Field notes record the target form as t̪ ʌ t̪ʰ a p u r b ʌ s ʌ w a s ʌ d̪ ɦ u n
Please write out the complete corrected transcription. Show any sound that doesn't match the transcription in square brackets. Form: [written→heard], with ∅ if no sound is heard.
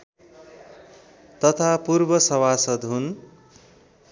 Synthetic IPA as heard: t̪ ʌ t̪ʰ a p u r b ʌ s ʌ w a s ʌ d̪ ɦ u n